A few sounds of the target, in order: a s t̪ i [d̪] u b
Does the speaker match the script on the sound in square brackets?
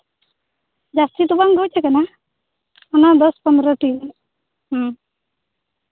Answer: no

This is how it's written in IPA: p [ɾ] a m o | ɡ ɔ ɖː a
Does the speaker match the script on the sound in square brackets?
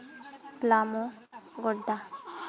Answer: no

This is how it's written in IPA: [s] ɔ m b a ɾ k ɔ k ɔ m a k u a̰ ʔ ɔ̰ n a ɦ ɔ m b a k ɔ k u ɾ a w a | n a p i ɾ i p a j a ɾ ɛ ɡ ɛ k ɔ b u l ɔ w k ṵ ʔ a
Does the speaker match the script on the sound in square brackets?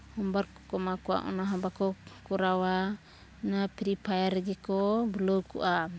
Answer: no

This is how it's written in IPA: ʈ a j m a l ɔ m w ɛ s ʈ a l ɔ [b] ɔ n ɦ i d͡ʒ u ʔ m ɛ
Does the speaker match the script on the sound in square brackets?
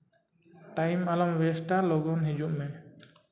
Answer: no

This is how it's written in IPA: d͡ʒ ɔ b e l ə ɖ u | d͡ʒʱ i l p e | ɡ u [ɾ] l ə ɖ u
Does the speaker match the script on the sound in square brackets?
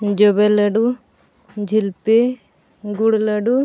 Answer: no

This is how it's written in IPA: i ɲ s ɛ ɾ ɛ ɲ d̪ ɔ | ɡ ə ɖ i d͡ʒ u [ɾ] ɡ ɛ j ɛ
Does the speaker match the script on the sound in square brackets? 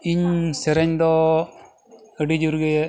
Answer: yes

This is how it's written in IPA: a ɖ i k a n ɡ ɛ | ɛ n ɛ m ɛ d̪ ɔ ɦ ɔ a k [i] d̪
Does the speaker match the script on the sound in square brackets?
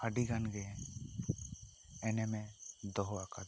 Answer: no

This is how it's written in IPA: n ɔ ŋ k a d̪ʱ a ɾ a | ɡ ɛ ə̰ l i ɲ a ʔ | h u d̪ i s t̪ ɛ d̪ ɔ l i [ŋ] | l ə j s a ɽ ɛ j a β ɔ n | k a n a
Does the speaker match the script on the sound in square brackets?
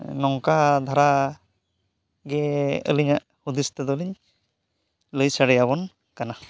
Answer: no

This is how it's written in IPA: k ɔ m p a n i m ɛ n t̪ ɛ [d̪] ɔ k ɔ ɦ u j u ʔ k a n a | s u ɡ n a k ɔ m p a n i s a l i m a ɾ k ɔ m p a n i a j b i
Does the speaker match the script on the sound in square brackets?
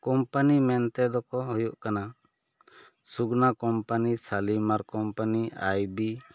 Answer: yes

